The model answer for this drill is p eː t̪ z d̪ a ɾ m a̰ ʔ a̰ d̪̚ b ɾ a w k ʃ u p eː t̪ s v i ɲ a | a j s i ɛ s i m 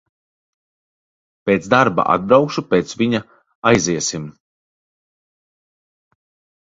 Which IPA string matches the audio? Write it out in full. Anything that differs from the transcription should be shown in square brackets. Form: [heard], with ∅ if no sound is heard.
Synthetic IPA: p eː t̪ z d̪ a ɾ [b] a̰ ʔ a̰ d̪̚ b ɾ a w k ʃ u p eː t̪ s v i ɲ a | a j [z] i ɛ s i m